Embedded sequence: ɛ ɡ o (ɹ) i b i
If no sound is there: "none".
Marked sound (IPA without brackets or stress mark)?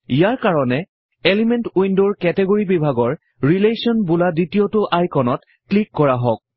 ɹ